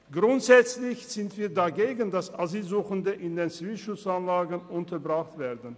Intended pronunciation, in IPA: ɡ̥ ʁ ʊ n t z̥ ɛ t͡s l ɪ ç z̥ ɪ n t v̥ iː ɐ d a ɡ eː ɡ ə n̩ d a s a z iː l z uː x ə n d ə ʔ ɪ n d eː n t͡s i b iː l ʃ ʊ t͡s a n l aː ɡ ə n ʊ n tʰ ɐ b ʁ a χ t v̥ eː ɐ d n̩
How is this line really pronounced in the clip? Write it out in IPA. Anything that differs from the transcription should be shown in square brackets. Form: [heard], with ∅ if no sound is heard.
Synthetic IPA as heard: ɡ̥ ʁ ʊ n t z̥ ɛ t͡s l ɪ ç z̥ ɪ n t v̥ iː ɐ d a ɡ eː ɡ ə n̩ d a s a z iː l z uː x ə n d ə ʔ ɪ n d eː n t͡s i [v] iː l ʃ ʊ t͡s a n l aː ɡ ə n ʊ n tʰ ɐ b ʁ a χ t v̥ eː ɐ d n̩